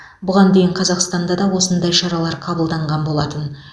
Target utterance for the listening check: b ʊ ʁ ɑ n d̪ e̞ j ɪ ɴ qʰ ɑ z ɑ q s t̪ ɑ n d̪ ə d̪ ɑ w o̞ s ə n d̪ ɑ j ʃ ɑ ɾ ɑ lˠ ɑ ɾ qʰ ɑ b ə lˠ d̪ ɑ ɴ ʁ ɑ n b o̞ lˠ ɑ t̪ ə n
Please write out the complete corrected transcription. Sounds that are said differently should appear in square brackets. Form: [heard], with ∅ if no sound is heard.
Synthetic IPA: b ʊ ʁ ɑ n d̪ e̞ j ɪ ɴ qʰ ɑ z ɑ q s t̪ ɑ n d̪ [ɑ] d̪ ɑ w o̞ s ə n d̪ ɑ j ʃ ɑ ɾ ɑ lˠ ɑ ɾ qʰ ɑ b ə lˠ d̪ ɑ ɴ ʁ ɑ n b o̞ lˠ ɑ t̪ ə n